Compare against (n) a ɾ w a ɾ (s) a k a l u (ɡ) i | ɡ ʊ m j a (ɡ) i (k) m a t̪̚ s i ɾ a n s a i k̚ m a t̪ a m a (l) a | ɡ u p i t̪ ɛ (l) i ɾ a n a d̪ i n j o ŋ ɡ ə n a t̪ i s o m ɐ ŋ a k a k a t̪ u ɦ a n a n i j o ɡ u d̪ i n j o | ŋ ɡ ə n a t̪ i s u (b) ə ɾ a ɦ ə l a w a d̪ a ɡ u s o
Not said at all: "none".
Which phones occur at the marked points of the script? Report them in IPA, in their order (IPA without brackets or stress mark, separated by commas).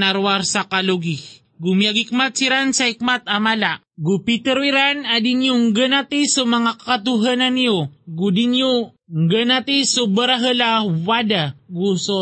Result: n, s, ɡ, ɡ, k, l, ɾ, b